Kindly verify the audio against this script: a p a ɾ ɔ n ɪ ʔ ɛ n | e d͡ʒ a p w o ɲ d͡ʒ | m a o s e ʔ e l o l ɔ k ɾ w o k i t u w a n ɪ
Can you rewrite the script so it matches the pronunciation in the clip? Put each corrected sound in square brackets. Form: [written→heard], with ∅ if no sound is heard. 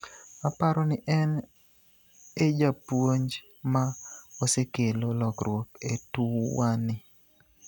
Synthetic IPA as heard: a p a ɾ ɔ n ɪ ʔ ɛ n | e d͡ʒ a p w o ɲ d͡ʒ | m a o s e [ʔ→k] e l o l ɔ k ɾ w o k [i→e] t u w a n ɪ